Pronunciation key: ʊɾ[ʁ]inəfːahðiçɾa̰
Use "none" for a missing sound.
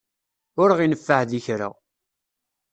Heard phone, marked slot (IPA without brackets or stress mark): ʁ